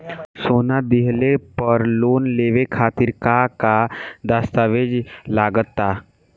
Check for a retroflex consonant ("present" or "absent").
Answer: absent